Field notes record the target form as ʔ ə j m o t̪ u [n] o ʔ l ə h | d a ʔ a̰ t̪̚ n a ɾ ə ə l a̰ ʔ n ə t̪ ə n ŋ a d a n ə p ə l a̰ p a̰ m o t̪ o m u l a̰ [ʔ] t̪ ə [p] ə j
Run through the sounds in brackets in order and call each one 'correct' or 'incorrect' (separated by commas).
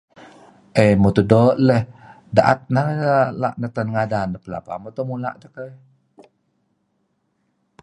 incorrect, correct, incorrect